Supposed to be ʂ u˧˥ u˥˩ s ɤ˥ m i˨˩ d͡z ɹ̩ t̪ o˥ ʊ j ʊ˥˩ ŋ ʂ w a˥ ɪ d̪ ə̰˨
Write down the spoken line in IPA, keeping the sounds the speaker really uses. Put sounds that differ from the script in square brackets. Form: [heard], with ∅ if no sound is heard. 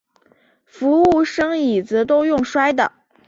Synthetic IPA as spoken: [f] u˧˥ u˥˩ [ʂ] ɤ˥ [ŋ] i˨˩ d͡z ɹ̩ t̪ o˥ ʊ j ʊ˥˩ ŋ ʂ w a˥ ɪ d̪ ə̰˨